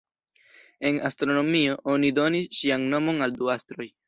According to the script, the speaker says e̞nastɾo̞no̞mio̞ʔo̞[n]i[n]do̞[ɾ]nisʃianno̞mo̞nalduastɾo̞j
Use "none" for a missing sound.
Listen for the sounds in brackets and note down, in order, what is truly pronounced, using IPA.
n, none, none

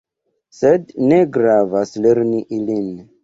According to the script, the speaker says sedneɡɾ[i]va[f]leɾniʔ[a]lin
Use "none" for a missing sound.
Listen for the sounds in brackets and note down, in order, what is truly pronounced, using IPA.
a, s, i

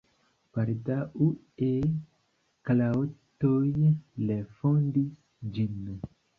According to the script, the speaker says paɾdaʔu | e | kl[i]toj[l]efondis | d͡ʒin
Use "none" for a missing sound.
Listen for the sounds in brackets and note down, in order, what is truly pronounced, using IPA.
a, l

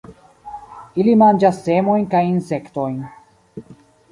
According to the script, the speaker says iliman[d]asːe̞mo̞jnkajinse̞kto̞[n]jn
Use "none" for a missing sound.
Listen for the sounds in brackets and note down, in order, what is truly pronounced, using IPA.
d͡ʒ, none

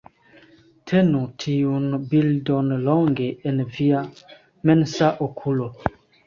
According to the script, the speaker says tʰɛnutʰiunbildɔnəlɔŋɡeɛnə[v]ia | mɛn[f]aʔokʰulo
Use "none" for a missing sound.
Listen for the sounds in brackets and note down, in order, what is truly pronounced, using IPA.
v, s

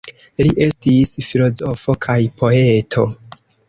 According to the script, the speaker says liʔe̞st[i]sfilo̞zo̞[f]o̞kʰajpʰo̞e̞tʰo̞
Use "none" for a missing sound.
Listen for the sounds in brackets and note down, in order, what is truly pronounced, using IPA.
i, f

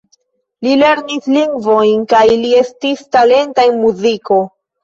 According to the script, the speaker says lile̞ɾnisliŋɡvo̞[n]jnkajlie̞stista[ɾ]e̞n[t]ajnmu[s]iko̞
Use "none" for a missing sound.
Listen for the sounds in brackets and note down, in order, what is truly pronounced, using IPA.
none, l, t, z

